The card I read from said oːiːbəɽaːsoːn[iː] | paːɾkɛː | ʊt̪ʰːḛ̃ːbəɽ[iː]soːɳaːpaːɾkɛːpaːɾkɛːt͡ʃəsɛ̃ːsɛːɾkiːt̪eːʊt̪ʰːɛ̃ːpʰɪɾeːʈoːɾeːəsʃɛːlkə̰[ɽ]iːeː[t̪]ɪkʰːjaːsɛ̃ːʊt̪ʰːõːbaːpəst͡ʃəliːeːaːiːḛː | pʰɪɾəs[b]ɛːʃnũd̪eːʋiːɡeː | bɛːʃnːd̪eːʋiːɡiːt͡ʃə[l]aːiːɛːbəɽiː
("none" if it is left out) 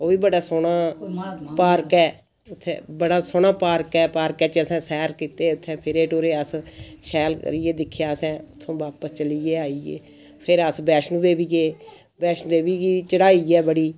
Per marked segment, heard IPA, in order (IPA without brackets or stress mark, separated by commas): aː, aː, ɾ, d̪, b, ɽ